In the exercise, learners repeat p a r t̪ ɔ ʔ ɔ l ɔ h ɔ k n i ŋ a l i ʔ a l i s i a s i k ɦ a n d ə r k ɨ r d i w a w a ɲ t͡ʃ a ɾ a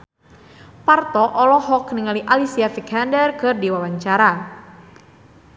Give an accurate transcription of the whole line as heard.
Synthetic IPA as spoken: p a r t̪ ɔ ʔ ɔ l ɔ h ɔ k n i ŋ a l i ʔ a l i s i a f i k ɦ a n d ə r k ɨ r d i w a w a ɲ t͡ʃ a ɾ a